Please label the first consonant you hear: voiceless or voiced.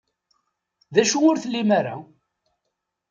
voiced